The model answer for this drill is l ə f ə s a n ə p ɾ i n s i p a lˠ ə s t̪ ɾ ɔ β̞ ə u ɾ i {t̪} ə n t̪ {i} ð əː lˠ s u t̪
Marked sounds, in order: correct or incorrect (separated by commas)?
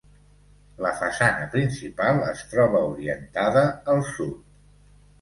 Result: incorrect, incorrect